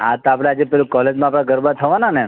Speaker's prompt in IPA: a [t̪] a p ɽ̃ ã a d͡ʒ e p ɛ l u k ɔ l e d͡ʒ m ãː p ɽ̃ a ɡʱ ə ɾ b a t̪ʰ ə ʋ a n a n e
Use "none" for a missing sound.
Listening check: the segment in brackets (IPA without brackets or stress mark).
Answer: t̪